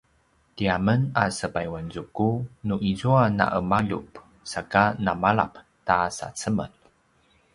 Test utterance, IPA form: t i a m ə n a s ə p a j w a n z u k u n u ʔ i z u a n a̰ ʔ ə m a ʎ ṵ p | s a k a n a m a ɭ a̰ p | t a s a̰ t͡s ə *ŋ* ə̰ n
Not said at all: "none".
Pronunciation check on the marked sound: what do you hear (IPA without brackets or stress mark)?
m